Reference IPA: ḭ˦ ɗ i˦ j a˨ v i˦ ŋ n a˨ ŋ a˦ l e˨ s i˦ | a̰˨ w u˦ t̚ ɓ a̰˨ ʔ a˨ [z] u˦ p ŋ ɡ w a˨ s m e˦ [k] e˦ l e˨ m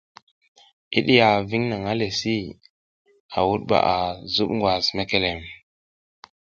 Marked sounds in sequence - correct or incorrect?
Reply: correct, correct

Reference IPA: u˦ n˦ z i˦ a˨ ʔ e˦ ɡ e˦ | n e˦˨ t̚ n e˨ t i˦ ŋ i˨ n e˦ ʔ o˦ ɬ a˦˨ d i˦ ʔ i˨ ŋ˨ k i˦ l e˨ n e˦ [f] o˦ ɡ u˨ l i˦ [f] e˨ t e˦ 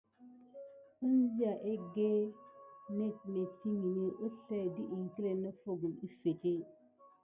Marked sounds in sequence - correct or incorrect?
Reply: correct, correct

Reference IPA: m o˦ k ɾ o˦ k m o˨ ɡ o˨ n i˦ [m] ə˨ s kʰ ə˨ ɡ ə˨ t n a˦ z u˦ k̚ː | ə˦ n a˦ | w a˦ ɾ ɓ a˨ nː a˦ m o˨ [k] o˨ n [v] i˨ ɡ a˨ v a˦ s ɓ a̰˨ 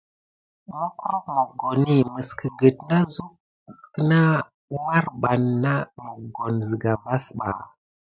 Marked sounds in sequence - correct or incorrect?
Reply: correct, incorrect: ɡ, incorrect: z

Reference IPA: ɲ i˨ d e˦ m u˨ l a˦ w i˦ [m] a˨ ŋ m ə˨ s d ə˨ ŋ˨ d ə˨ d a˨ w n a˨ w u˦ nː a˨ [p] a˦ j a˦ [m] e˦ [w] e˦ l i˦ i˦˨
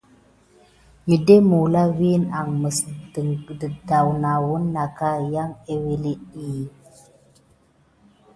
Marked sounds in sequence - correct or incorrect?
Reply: incorrect: n, incorrect: k, incorrect: ŋ, correct

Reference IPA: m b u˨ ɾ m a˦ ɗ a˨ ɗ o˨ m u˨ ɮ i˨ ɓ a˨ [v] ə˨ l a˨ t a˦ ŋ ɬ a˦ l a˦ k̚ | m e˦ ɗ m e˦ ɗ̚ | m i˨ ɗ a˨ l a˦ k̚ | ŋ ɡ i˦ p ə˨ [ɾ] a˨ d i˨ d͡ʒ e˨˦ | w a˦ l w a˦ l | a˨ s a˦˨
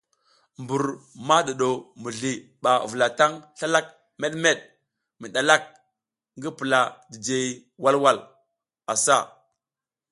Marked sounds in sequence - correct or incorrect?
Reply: correct, incorrect: l

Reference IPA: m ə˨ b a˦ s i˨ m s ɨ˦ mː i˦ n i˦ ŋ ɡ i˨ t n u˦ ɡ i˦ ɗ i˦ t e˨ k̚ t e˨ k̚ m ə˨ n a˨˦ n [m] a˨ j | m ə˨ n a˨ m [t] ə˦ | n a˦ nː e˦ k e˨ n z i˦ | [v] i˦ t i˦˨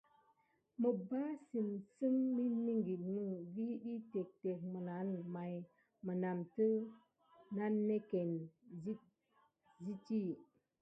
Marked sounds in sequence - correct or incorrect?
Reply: correct, correct, incorrect: z

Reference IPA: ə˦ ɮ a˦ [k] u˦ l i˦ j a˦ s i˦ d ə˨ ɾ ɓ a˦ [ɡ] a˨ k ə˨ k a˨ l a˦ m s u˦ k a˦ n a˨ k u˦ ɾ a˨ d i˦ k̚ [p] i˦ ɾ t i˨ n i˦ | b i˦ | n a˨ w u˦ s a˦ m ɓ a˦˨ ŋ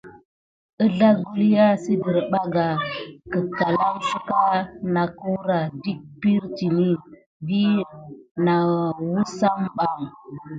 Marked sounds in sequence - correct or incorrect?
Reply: incorrect: ɡ, correct, correct

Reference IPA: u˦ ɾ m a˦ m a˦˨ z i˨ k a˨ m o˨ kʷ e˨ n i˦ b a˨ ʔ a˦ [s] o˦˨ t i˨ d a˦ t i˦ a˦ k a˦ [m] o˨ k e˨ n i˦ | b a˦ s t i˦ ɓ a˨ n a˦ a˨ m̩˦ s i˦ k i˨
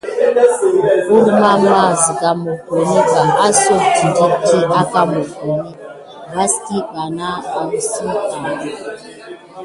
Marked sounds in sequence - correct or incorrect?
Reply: correct, correct

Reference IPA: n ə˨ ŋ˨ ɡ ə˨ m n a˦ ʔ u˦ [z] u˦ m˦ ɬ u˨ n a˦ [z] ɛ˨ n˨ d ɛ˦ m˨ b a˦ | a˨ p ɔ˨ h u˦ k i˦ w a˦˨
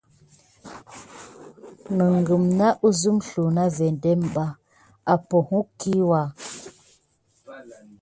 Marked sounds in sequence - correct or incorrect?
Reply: correct, incorrect: v

